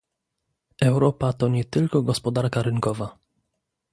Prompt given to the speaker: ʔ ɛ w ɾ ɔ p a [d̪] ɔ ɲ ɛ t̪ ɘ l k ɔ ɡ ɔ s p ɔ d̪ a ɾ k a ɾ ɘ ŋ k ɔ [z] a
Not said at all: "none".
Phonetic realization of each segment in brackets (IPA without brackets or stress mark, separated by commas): t̪, v